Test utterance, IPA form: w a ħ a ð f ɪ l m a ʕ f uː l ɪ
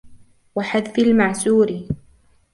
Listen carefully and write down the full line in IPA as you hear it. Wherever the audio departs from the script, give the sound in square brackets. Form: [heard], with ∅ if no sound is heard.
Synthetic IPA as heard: w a ħ a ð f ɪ l m a ʕ [s] uː [ɾ] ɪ

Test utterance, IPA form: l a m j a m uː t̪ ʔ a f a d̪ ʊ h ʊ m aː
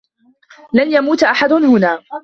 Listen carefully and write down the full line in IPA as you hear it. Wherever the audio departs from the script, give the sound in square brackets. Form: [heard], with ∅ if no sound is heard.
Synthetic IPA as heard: l a [n] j a m uː t̪ ʔ a [ħ] a d̪ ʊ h ʊ [n] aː

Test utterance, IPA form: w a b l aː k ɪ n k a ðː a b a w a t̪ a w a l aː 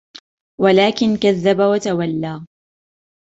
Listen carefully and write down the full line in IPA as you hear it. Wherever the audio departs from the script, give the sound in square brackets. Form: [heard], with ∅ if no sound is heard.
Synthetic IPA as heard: w a [∅] l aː k ɪ n k a ðː a b a w a t̪ a w a [lː] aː

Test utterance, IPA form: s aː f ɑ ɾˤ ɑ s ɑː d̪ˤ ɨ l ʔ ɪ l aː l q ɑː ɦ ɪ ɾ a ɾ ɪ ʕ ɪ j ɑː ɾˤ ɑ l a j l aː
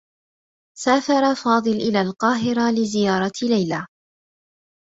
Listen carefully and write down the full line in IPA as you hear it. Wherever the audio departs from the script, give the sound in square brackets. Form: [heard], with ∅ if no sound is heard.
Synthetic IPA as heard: s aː f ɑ ɾˤ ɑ [f] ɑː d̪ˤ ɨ l ʔ ɪ l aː l q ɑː ɦ ɪ ɾ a [l] ɪ [z] ɪ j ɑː ɾˤ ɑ l a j l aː

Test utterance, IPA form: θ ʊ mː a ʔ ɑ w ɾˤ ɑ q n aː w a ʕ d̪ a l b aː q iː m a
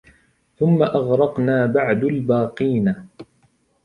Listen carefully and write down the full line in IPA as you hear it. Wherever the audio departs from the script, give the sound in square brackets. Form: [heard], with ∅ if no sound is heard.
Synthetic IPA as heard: θ ʊ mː a ʔ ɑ [ɣ] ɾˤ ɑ q n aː [b] a ʕ d̪ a l b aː q iː [n] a

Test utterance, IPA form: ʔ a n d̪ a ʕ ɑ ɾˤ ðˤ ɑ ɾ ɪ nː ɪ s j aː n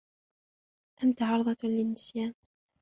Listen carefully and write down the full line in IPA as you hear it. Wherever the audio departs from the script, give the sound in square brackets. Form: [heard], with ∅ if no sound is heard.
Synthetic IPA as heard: ʔ a n [t̪] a ʕ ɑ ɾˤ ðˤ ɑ [l] ɪ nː ɪ s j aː n

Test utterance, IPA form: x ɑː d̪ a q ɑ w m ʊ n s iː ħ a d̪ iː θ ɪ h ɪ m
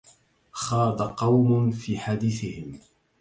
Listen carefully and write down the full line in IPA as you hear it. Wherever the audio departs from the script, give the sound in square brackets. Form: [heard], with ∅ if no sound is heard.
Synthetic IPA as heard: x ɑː d̪ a q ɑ w m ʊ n [f] iː ħ a d̪ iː θ ɪ h ɪ m

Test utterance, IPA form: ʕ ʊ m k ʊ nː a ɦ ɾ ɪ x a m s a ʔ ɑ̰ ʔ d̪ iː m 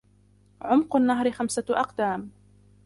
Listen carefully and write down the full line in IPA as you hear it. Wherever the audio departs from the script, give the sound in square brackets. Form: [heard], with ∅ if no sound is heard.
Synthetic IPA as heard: ʕ ʊ m [q] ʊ nː a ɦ ɾ ɪ x a m s a ʔ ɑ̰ [q] d̪ [aː] m

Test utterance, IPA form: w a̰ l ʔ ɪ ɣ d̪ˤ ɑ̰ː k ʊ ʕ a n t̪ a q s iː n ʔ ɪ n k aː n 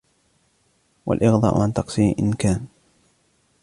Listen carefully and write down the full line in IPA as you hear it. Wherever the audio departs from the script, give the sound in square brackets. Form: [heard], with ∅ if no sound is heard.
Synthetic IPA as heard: w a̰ l ʔ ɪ ɣ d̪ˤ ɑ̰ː [ʔ] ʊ ʕ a n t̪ [ɑ] q s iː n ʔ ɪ n k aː n

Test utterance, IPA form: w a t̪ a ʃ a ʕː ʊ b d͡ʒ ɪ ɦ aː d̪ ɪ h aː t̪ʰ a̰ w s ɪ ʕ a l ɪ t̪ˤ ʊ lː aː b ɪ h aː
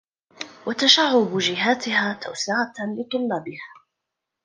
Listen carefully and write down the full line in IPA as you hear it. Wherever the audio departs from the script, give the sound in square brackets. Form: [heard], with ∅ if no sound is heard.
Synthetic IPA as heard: w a t̪ a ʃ a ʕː ʊ b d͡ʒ ɪ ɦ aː [t̪] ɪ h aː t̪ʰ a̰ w s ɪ ʕ a l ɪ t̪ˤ ʊ lː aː b ɪ h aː

